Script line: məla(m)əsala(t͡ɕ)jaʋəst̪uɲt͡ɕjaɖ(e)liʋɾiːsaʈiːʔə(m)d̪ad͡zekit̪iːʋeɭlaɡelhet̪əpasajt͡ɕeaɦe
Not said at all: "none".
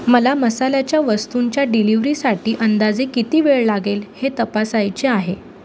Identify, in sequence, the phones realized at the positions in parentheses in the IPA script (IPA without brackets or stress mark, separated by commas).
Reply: m, t͡ɕ, i, n